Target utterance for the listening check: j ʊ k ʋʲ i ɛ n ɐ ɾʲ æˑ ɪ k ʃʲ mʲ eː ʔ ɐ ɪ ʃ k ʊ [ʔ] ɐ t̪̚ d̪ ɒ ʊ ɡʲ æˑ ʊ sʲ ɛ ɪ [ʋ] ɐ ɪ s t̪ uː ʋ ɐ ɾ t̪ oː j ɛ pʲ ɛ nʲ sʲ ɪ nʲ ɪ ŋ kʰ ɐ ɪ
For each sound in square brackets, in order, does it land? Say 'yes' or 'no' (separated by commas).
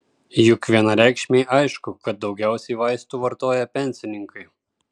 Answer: no, yes